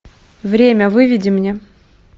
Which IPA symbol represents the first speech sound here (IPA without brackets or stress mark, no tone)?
v